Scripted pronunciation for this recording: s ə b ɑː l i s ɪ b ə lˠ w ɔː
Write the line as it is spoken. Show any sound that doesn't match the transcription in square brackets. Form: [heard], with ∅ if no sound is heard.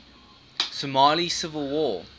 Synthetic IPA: s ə [m] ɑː l i s ɪ [v] ə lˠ w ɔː